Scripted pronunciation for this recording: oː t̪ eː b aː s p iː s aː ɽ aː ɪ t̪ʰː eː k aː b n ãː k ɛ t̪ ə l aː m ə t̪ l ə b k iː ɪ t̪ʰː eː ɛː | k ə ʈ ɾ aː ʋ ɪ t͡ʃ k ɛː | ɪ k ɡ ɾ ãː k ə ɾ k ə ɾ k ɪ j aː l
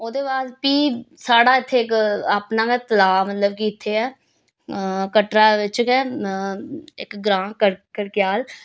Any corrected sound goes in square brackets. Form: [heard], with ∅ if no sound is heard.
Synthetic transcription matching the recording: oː [d̪] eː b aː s p iː s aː ɽ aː ɪ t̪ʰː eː k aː [p] n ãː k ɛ t̪ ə l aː m ə t̪ l ə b k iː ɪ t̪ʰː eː ɛː | k ə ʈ ɾ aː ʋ ɪ t͡ʃ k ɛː | ɪ k ɡ ɾ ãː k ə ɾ k ə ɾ k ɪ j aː l